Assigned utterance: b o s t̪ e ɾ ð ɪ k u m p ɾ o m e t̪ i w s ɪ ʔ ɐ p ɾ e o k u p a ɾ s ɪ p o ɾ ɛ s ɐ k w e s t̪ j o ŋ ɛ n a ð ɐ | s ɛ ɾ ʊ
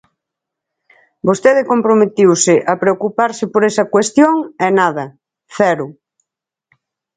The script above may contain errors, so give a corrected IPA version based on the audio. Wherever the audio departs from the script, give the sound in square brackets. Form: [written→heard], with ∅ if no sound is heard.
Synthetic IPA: b o s t̪ e [ɾ→∅] ð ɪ k [u→o] m p ɾ o m e t̪ i w s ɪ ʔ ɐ p ɾ e o k u p a ɾ s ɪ p o ɾ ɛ s ɐ k w e s t̪ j o ŋ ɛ n a ð ɐ | [s→θ] ɛ ɾ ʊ